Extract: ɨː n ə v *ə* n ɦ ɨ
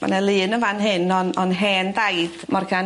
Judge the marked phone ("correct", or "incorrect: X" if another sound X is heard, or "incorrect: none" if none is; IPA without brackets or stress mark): incorrect: a